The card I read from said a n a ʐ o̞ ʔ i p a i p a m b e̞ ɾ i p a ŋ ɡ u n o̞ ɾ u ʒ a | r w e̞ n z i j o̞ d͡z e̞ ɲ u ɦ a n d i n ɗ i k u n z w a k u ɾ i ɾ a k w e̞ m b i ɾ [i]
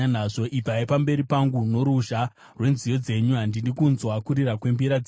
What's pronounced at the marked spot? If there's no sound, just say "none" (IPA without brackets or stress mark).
a